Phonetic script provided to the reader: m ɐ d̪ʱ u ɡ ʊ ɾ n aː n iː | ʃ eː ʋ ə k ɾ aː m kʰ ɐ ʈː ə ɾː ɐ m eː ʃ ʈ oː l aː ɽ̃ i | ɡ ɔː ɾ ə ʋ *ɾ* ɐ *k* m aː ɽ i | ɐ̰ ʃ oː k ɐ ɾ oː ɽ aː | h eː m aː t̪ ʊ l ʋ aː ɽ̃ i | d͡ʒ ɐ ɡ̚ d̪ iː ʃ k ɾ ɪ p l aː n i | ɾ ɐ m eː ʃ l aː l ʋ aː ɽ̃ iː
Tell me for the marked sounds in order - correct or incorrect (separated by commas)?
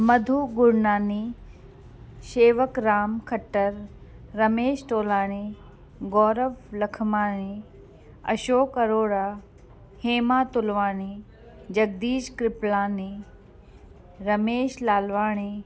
incorrect, incorrect